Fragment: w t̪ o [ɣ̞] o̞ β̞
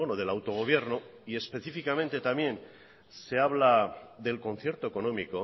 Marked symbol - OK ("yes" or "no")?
yes